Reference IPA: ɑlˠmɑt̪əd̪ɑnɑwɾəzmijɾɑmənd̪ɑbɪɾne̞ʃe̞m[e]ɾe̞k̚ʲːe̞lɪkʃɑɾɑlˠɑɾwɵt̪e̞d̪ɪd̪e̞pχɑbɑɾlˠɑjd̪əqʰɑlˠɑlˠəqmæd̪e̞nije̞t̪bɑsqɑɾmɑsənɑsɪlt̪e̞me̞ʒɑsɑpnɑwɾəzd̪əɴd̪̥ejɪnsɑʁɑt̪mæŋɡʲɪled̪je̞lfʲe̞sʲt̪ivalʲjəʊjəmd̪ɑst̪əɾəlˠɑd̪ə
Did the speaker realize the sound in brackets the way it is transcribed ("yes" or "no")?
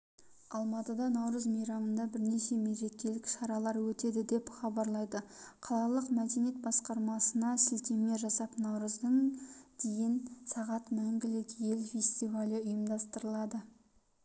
yes